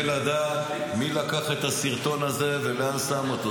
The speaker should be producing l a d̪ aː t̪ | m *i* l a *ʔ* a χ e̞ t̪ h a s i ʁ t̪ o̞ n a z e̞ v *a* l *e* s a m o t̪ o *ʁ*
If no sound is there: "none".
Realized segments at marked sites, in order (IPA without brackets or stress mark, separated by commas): i, k, e, a, none